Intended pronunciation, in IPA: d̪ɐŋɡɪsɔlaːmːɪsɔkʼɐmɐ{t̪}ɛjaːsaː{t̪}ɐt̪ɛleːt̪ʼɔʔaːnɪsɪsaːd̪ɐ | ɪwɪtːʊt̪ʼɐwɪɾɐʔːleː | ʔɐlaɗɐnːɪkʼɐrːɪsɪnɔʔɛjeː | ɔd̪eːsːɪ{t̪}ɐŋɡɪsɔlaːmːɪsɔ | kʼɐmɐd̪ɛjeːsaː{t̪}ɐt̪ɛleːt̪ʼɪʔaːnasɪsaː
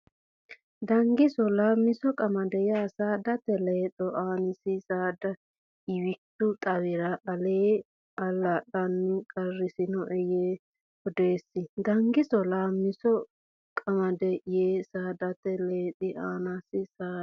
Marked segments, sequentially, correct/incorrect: incorrect: d̪, incorrect: d̪, incorrect: d̪, incorrect: d̪

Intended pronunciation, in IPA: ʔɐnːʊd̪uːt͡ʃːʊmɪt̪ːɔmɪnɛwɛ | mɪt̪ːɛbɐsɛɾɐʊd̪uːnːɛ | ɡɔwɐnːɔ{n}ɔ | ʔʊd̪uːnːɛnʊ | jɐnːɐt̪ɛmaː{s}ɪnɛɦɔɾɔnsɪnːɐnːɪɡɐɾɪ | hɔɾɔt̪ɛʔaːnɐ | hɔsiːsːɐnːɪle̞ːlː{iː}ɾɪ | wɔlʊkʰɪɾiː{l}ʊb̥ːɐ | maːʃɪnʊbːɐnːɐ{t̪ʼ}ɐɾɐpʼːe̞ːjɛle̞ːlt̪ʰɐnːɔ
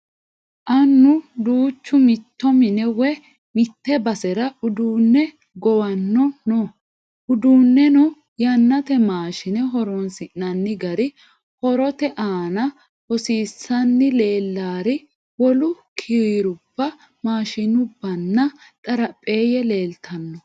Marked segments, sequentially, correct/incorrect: correct, incorrect: ʃ, incorrect: aː, incorrect: ɾ, correct

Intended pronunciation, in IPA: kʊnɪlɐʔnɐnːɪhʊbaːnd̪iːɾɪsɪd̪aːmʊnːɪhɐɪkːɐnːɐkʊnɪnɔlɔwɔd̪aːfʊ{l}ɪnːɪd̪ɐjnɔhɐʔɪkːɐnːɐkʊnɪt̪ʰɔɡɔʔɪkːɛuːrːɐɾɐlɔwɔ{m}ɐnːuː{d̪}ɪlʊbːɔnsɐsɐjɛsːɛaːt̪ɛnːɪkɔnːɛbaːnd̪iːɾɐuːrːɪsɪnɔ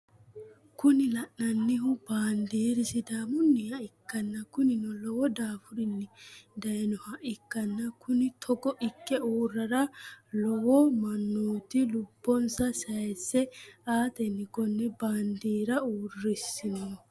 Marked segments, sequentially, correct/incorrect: incorrect: ɾ, correct, incorrect: t̪

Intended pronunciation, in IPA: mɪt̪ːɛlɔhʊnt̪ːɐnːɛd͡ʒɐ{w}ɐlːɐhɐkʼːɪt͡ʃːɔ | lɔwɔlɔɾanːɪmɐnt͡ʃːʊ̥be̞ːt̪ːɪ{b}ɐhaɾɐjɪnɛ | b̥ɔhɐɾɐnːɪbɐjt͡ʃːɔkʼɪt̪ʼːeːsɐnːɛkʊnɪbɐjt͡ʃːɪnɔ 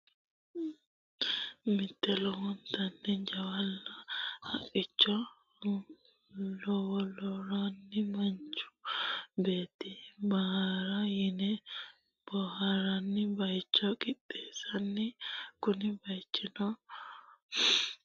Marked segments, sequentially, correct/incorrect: correct, correct

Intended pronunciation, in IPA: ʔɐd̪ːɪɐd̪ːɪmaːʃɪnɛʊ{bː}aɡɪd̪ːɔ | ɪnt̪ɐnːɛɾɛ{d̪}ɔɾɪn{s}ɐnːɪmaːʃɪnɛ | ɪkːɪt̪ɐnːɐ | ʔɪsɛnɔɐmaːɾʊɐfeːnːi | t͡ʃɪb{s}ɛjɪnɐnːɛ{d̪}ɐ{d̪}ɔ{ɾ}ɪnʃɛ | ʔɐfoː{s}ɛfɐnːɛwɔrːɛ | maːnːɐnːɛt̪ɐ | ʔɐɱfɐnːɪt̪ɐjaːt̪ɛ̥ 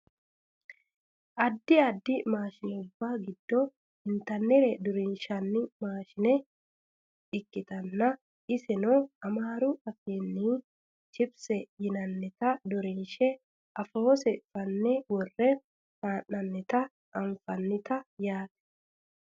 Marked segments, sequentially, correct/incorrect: correct, correct, incorrect: ʃ, correct, incorrect: t̪, correct, correct, correct

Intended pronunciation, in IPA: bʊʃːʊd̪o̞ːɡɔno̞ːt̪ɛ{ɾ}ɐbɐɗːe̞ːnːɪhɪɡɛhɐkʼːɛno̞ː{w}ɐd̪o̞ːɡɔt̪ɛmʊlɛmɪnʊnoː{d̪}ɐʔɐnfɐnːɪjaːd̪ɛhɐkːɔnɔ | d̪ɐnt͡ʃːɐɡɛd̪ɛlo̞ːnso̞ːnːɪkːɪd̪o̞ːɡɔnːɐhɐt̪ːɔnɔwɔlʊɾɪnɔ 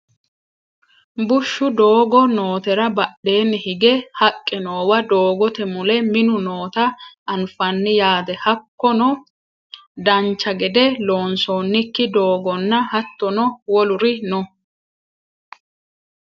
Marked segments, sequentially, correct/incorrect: correct, correct, incorrect: t̪

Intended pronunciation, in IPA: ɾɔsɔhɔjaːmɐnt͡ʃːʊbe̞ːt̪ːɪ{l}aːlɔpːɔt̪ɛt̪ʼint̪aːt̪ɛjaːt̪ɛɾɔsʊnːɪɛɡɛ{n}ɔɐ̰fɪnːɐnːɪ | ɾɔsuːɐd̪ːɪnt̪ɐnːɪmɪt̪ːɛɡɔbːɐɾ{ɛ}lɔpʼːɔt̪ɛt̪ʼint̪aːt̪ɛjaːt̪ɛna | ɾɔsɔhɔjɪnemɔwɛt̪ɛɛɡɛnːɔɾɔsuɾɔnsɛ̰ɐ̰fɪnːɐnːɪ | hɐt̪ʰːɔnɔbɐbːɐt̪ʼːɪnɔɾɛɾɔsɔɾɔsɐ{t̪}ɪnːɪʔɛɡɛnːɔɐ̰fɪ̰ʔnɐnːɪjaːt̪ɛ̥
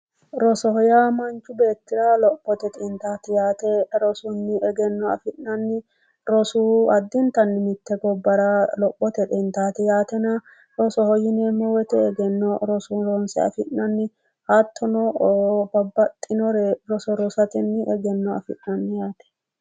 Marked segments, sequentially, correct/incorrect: incorrect: ɾ, incorrect: nː, incorrect: a, correct

